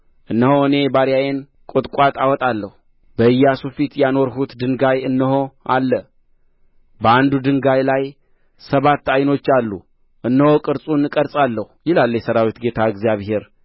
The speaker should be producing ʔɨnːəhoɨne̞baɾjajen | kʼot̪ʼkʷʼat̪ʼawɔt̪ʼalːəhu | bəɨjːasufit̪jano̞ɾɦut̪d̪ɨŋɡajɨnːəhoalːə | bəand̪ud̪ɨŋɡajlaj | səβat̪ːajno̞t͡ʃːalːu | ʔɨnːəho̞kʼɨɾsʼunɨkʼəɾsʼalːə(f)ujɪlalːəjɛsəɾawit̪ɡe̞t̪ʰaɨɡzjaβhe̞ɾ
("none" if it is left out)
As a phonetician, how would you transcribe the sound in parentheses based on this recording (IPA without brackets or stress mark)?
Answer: h